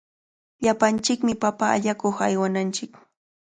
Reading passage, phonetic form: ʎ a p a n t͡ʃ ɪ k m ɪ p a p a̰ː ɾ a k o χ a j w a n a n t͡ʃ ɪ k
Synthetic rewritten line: ʎ a p a n t͡ʃ ɪ k m ɪ p a p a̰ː ʎ a k o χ a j w a n a n t͡ʃ ɪ k